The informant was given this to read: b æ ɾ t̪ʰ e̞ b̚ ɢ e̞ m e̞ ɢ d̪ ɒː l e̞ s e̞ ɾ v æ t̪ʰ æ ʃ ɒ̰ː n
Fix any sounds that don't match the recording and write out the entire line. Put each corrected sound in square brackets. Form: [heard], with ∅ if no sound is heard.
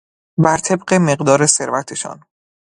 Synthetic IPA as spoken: b æ ɾ t̪ʰ e̞ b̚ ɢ e̞ m e̞ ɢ d̪ ɒː [ɾ] e̞ s e̞ ɾ v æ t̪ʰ [e] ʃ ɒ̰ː n